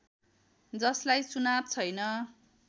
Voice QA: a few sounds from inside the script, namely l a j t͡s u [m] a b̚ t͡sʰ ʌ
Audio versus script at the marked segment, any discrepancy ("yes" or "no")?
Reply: yes